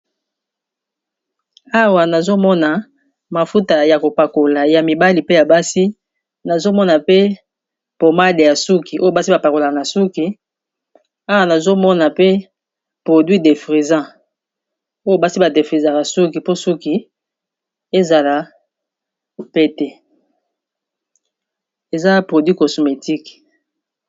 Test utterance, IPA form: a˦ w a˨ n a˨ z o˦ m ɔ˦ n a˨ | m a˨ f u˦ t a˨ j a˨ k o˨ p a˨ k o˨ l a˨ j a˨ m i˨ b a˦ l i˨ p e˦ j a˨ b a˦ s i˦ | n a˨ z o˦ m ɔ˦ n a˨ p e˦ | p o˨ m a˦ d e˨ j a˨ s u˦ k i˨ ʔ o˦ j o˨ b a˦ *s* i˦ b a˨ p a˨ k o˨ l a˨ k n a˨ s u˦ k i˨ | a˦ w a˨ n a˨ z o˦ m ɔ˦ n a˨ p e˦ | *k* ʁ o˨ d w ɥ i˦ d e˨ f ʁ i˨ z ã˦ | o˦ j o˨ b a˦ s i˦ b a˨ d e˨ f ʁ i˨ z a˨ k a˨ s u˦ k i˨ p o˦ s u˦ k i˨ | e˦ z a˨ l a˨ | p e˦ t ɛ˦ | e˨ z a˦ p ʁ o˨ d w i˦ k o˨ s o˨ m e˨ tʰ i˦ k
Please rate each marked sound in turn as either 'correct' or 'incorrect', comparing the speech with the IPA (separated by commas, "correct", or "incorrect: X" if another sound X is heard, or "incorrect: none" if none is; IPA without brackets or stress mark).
correct, incorrect: p